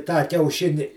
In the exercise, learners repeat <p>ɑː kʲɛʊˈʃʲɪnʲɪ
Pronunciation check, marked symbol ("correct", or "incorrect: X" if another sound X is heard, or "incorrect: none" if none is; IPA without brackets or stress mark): incorrect: t